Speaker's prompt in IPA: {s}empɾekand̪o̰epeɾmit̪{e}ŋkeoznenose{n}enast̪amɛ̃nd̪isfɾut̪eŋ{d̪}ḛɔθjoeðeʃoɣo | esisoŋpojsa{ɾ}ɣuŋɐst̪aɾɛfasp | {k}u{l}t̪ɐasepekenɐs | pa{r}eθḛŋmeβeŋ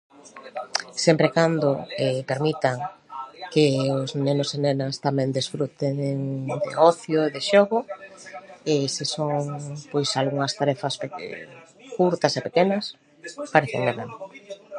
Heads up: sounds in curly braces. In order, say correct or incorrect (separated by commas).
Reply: correct, incorrect, correct, correct, incorrect, correct, incorrect, incorrect